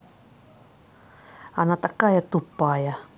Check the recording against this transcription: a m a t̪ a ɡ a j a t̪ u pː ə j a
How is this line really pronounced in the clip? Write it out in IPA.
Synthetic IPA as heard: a n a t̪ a k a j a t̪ u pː a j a